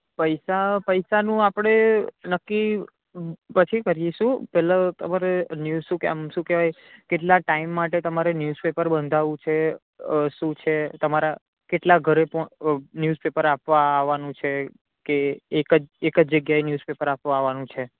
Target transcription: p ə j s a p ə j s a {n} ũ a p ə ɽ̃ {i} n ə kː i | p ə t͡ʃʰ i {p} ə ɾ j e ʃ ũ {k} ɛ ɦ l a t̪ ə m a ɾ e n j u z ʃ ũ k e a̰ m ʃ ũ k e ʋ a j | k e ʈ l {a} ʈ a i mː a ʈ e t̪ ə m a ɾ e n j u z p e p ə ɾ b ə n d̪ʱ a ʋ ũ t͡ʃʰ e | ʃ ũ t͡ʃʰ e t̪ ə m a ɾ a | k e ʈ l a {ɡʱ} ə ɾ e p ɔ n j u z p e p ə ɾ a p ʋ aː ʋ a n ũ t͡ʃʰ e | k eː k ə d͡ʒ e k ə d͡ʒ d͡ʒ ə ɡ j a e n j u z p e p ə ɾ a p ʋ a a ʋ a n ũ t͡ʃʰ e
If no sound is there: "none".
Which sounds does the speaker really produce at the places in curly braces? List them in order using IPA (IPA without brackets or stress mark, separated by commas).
n, e, k, p, a, ɡʱ